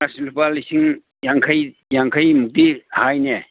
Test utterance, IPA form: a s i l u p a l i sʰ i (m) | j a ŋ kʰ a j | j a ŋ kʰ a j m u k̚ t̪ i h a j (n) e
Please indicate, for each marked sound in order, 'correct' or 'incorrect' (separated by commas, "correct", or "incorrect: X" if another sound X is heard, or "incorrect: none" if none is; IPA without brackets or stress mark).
incorrect: ŋ, correct